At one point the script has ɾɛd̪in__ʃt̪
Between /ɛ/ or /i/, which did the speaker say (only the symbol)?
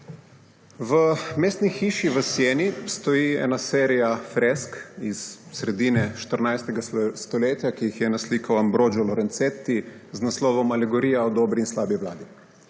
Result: ɛ